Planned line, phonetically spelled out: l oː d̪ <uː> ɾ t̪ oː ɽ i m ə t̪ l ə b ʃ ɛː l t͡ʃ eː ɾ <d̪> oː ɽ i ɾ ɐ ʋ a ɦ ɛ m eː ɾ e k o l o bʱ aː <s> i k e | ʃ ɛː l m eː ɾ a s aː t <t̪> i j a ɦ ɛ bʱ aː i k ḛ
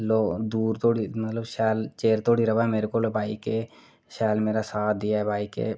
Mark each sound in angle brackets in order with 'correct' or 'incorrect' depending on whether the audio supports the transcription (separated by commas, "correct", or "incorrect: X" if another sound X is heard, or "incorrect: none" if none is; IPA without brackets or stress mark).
correct, incorrect: t̪, incorrect: none, incorrect: d̪